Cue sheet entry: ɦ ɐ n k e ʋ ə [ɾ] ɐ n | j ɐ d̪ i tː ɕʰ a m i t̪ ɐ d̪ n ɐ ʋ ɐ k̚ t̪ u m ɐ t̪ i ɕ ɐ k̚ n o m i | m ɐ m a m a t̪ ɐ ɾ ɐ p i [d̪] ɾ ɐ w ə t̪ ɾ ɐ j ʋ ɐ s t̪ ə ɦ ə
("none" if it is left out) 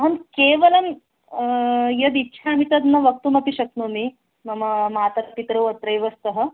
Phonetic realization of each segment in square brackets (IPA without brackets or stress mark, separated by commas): l, t̪